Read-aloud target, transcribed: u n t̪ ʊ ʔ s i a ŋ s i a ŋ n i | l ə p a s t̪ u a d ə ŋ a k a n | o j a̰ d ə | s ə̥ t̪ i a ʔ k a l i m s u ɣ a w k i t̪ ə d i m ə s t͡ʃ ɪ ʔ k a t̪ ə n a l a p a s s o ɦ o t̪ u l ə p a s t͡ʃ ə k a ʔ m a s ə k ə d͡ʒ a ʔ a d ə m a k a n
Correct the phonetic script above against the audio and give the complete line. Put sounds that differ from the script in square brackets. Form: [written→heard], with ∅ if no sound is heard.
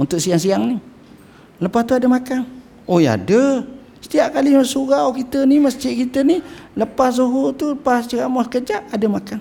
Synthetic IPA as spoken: u n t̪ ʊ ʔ s i a ŋ s i a ŋ n i | l ə p a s t̪ u a d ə [ŋ→m] a k a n | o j a̰ d ə | s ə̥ t̪ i a ʔ k a l i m s u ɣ a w k i t̪ ə [d→n] i m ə s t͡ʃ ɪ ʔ k [a→i] t̪ ə n [a→i] l [a→ə] p a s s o ɦ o t̪ u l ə p a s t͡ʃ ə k a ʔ m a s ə k ə d͡ʒ a ʔ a d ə m a k a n